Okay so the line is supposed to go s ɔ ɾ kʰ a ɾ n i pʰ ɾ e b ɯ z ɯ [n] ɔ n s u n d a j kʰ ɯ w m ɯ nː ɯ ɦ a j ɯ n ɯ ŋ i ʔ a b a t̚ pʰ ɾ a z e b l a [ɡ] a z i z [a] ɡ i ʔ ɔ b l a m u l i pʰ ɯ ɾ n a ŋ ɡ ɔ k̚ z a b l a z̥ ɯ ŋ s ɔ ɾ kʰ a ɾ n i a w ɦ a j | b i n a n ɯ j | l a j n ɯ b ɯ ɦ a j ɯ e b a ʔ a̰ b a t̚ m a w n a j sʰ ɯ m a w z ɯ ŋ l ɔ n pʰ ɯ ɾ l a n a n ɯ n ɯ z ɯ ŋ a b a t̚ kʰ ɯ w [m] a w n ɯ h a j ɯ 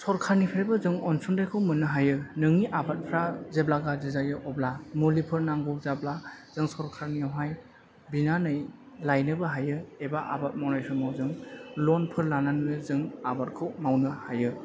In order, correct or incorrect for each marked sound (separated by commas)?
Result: incorrect, correct, correct, correct